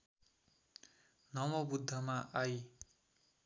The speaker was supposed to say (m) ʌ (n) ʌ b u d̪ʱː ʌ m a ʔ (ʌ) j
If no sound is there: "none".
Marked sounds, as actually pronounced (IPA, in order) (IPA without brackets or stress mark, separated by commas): n, m, a